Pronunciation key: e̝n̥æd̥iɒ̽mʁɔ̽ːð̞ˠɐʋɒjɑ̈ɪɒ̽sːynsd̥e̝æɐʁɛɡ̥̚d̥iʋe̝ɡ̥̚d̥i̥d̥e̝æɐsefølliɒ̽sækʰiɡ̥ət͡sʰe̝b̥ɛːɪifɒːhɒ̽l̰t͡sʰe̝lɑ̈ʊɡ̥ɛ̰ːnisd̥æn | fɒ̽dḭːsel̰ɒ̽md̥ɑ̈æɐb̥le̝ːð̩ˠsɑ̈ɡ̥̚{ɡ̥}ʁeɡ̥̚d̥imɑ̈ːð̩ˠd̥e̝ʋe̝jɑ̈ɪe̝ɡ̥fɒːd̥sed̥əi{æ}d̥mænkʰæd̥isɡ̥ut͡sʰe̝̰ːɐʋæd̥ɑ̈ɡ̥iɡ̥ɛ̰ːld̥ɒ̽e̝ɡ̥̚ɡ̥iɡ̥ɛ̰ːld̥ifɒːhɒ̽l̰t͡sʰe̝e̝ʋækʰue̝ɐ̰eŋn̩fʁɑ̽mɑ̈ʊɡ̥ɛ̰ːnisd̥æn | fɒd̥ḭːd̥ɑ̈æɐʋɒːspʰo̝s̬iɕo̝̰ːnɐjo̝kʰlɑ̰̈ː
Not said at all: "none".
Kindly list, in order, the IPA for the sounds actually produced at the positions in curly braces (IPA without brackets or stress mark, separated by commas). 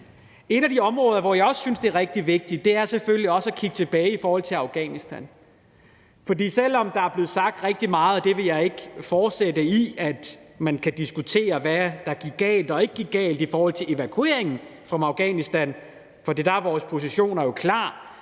d̥, æ